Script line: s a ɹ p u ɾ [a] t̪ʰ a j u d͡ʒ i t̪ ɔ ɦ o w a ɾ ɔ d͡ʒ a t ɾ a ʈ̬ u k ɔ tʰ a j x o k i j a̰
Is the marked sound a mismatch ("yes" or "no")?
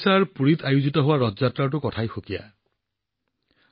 yes